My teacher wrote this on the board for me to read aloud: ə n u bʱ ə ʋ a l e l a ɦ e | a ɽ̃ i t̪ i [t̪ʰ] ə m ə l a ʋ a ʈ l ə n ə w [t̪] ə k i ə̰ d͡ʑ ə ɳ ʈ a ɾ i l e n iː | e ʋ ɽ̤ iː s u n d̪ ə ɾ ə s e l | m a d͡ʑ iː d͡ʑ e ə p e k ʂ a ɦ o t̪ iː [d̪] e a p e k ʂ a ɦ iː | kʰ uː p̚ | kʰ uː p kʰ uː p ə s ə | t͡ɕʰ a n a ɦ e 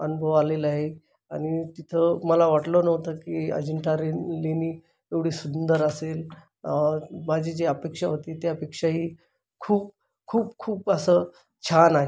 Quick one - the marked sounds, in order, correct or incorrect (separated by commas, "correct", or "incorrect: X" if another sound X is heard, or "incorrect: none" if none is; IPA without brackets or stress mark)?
correct, correct, incorrect: t̪